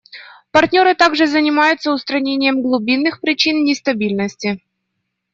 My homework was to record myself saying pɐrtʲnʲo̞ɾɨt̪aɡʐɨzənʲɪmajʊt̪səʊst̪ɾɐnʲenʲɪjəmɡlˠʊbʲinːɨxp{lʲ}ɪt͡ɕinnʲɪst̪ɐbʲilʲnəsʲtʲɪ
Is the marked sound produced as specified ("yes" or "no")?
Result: no